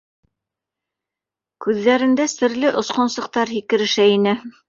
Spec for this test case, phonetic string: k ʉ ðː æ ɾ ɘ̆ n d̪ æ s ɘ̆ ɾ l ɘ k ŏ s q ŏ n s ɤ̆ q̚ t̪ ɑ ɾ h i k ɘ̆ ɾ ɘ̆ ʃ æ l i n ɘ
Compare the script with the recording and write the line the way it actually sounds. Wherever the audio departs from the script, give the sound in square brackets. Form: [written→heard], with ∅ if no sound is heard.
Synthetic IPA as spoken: k ʉ ðː æ ɾ ɘ̆ n d̪ æ s ɘ̆ ɾ l ɘ [k→ʔ] ŏ s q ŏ n s ɤ̆ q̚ t̪ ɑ ɾ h i k ɘ̆ ɾ ɘ̆ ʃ æ [l→∅] i n ɘ

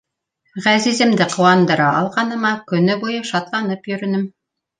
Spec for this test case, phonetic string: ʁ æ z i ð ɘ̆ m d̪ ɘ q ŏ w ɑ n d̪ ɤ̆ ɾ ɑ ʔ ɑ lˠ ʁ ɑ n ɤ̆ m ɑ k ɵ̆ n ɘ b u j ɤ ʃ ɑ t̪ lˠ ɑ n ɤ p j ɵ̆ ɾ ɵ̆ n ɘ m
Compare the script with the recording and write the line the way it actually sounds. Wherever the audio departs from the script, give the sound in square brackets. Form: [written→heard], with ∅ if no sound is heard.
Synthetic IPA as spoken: ʁ æ z i [ð→z] ɘ̆ m d̪ ɘ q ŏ w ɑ n d̪ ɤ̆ ɾ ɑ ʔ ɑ lˠ ʁ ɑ n ɤ̆ m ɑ k ɵ̆ n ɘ b u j ɤ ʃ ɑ t̪ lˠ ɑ n ɤ p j ɵ̆ ɾ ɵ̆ n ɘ m

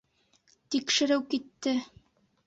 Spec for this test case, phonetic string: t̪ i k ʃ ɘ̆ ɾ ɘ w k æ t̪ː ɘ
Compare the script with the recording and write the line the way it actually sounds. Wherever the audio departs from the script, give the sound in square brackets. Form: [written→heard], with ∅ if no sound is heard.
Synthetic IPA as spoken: t̪ i k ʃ ɘ̆ ɾ ɘ w k [æ→i] t̪ː ɘ

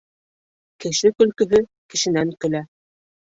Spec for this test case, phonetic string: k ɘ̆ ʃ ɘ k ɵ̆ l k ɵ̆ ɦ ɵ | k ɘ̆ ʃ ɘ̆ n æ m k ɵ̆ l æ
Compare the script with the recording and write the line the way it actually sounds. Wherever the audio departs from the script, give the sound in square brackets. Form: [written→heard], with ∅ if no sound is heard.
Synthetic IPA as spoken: k ɘ̆ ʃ ɘ k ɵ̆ l k ɵ̆ ɦ ɵ | k ɘ̆ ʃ ɘ̆ n æ [m→ŋ] k ɵ̆ l æ

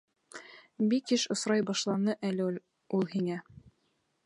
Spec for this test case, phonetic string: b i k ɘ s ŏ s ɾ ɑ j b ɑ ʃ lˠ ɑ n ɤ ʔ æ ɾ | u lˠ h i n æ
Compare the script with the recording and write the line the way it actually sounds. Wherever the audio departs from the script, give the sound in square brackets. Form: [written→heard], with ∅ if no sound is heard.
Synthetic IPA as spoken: b i k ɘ [s→ʃ] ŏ s ɾ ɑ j b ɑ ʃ lˠ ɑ n ɤ ʔ æ [ɾ→l] | u lˠ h i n æ

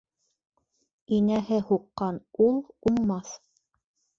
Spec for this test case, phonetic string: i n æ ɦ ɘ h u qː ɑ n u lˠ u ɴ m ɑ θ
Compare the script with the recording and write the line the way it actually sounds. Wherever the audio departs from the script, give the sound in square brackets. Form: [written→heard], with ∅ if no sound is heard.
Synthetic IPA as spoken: i n æ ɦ ɘ h u qː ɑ n u lˠ u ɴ m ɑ θ

